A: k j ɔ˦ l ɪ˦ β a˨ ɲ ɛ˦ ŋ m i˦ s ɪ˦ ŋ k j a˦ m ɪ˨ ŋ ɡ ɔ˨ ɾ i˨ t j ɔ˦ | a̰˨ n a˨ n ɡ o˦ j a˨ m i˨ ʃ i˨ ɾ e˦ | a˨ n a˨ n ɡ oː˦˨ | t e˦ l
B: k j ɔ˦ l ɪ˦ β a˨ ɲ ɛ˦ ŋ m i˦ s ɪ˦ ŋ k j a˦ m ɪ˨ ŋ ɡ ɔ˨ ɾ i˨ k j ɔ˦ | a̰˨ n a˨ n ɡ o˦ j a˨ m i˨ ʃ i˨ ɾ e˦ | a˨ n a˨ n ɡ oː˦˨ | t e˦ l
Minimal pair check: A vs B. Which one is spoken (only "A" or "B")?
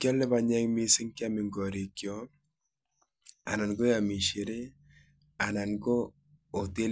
B